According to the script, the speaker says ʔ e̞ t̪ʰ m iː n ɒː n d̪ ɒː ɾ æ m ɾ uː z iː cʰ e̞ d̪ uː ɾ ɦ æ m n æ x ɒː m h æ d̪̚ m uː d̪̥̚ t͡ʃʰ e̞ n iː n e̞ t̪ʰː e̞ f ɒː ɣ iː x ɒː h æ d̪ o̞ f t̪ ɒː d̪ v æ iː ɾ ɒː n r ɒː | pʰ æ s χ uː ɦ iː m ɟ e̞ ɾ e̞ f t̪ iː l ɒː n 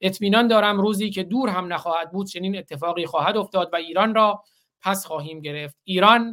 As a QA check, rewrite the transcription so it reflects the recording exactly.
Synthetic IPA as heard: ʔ e̞ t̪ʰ m iː n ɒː n d̪ ɒː ɾ æ m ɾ uː z iː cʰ e̞ d̪ uː ɾ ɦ æ m n æ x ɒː h æ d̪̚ b uː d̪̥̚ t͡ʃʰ e̞ n iː n e̞ t̪ʰː e̞ f ɒː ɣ iː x ɒː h æ d̪ o̞ f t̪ ɒː d̪ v æ iː ɾ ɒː n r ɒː | pʰ æ s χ ɒː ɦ iː m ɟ e̞ ɾ e̞ f t̪ iː ɾ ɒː n